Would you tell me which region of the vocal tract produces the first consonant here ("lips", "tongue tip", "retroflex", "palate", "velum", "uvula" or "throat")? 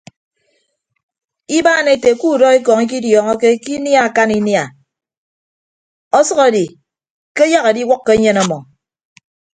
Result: lips